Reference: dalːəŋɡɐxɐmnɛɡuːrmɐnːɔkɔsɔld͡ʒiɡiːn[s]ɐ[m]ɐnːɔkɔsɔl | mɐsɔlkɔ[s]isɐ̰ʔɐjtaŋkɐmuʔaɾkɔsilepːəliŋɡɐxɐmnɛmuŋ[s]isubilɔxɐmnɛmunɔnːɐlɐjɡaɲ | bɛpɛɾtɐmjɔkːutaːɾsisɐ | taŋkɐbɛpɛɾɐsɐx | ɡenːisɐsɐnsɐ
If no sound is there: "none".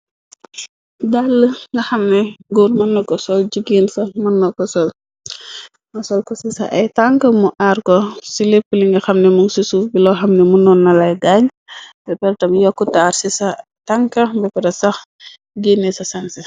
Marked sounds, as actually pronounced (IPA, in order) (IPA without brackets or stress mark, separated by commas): s, m, s, s